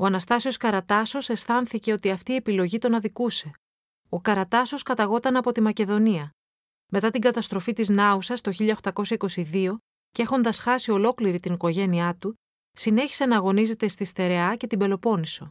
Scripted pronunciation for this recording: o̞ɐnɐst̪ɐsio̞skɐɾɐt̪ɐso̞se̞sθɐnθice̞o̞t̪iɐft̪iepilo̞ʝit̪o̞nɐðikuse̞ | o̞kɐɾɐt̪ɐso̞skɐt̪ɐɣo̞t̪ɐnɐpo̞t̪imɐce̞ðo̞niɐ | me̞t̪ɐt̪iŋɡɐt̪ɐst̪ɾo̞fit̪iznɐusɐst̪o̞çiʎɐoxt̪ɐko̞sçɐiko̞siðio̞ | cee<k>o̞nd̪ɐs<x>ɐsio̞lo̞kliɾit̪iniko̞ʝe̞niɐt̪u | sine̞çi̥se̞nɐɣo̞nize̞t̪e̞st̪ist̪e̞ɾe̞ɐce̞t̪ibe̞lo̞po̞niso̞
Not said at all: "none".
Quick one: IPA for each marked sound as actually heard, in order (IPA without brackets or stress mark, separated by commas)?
x, x